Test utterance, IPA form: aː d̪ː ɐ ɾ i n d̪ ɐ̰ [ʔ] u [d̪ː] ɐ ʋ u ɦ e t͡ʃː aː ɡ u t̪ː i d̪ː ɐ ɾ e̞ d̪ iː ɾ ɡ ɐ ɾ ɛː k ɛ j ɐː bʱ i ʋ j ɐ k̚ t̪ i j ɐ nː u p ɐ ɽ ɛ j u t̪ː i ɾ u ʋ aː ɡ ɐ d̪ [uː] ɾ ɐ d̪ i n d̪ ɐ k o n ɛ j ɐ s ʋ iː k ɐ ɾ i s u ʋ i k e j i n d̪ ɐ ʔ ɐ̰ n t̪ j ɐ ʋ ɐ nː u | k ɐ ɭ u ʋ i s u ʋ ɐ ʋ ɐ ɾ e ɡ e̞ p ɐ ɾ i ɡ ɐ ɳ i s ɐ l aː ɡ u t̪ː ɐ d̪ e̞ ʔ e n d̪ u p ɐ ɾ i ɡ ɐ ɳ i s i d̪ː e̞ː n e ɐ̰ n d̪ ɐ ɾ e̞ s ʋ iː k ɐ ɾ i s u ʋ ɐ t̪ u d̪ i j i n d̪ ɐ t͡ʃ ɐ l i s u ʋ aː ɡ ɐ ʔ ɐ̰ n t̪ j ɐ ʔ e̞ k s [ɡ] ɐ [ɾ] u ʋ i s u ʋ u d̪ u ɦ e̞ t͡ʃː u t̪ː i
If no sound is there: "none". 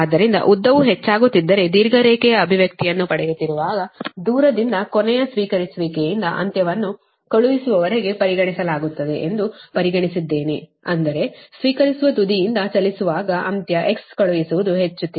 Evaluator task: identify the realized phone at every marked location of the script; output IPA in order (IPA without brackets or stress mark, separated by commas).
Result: ʔ, d̪ː, uː, k, ɭ